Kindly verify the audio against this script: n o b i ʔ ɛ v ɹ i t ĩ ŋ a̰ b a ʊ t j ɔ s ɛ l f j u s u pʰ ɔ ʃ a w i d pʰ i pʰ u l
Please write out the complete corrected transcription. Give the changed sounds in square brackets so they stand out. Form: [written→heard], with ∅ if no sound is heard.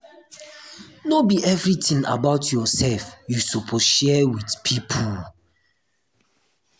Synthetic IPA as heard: n o b i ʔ ɛ v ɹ i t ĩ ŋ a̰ b a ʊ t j ɔ s ɛ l f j u s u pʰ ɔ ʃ [a→ɛ] w i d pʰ i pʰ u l